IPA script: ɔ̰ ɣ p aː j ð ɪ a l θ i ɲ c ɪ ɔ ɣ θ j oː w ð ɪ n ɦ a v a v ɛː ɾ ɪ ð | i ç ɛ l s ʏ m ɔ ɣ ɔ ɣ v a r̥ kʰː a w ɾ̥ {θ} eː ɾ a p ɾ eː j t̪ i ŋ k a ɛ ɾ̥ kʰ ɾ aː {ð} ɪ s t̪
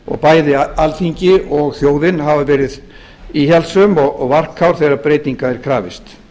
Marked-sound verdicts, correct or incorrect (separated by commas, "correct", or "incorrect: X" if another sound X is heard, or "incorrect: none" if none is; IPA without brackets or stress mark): correct, incorrect: v